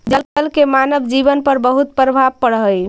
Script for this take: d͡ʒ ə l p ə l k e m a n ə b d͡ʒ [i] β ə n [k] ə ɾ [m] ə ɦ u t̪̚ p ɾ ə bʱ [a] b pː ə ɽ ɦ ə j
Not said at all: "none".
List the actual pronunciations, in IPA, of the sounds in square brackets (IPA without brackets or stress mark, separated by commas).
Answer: i, p, b, a